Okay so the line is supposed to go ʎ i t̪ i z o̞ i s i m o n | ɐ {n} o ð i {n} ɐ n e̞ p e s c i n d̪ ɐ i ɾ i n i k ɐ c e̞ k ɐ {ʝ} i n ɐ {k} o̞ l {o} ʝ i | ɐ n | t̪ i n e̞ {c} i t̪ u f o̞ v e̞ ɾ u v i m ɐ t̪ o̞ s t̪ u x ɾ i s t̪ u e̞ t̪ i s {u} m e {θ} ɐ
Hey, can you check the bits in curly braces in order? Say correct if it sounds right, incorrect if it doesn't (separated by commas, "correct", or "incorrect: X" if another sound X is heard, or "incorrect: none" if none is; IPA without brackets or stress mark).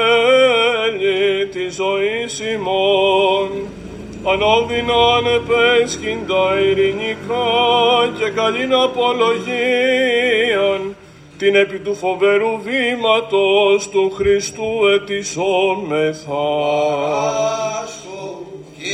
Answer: correct, correct, incorrect: ʎ, incorrect: p, correct, incorrect: p, incorrect: o, correct